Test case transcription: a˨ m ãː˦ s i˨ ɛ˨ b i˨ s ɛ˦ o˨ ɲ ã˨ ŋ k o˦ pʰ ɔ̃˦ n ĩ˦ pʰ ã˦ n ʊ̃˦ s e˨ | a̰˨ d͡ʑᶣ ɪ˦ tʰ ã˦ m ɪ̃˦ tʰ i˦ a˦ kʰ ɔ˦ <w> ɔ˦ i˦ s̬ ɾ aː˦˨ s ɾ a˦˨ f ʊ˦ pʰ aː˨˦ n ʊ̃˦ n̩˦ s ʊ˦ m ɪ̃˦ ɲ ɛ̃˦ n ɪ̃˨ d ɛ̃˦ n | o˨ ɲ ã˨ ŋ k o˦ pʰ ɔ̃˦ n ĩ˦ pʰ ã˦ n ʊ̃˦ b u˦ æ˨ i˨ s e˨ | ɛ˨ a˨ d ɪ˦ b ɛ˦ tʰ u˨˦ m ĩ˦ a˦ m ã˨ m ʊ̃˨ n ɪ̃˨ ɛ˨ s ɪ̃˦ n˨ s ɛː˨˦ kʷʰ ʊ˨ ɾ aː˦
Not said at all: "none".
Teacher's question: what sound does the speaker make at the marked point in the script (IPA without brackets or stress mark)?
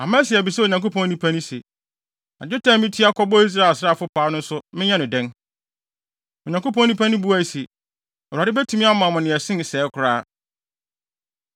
b